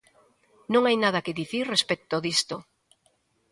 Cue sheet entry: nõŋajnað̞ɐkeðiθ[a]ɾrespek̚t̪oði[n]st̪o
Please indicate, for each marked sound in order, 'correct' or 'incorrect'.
incorrect: i, incorrect: none

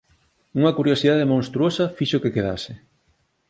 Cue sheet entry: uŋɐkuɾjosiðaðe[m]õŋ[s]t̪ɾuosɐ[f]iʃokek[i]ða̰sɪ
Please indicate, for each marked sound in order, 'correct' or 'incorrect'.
correct, correct, correct, incorrect: e

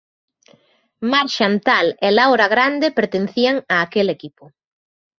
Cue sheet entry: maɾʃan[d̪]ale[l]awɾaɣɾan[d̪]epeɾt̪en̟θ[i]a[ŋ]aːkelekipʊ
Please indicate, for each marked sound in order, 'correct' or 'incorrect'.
incorrect: t̪, correct, correct, correct, correct

